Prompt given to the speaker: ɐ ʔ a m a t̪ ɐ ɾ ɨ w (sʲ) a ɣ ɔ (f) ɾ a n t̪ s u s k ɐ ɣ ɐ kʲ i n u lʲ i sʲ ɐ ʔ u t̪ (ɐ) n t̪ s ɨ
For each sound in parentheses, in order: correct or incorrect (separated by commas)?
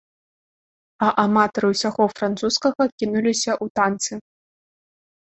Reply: correct, correct, incorrect